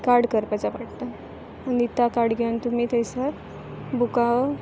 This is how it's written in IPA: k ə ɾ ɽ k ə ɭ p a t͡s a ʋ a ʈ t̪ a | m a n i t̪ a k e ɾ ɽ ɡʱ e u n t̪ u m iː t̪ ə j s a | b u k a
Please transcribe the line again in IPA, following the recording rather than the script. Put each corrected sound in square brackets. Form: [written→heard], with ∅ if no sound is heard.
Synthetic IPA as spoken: k [ə→a] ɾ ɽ k ə [ɭ→ɾ] p a t͡s a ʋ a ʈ t̪ a | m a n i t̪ a k [e→a] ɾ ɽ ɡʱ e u n t̪ u m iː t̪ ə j s a | b u k a